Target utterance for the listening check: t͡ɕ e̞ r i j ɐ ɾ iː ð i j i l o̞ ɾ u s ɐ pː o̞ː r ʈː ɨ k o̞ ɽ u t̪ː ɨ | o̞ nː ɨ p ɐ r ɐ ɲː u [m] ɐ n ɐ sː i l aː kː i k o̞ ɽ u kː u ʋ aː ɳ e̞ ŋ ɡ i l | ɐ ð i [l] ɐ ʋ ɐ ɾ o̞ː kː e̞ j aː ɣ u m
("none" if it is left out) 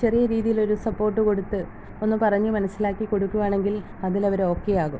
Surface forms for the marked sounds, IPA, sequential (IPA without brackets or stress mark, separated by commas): m, l